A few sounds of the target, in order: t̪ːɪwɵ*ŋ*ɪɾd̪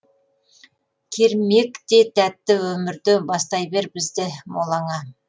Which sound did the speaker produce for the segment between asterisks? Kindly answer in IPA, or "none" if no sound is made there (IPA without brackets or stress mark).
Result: m